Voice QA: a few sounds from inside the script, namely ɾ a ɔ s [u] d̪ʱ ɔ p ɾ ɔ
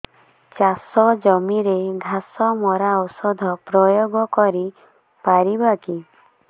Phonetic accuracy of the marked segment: incorrect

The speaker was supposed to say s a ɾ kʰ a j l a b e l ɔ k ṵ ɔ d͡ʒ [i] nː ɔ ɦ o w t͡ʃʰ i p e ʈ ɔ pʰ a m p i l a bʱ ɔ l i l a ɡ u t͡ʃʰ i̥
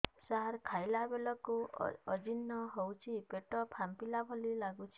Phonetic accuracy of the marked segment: correct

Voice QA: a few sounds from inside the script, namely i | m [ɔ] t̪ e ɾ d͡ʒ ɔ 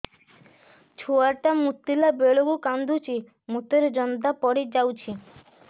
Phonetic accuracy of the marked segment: incorrect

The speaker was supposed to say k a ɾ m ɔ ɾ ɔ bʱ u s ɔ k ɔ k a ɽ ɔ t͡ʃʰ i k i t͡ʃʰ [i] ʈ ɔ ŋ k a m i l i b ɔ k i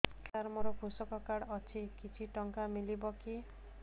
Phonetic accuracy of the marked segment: correct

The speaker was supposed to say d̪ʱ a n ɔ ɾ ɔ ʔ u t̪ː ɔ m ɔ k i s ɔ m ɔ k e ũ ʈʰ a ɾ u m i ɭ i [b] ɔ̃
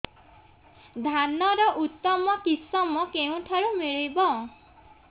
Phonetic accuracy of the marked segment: correct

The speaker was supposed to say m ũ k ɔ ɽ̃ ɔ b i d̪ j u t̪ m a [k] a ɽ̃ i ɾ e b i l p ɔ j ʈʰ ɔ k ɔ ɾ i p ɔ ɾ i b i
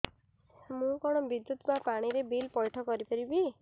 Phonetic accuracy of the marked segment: incorrect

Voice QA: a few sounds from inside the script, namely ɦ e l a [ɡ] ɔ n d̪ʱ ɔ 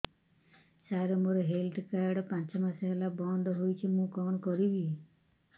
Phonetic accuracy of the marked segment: incorrect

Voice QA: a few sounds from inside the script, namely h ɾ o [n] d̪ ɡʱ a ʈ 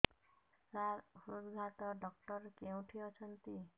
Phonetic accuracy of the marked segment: incorrect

